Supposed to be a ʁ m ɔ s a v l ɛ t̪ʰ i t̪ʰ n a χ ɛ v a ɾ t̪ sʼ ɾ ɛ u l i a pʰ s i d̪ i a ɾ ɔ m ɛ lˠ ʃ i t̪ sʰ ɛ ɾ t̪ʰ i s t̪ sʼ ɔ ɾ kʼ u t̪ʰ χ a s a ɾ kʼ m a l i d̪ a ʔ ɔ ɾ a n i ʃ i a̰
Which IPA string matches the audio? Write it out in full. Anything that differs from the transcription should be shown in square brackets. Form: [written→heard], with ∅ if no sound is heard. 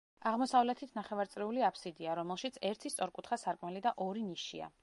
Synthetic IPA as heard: a ʁ m ɔ s a v l ɛ t̪ʰ i t̪ʰ n a χ ɛ v a ɾ t̪ sʼ ɾ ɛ u l i a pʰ s i d̪ i a ɾ ɔ m ɛ lˠ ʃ i t̪ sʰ ɛ ɾ t̪ʰ i s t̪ sʼ ɔ ɾ kʼ u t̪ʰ χ a s a ɾ kʼ m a l i d̪ a ʔ ɔ ɾ [a→i] n i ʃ i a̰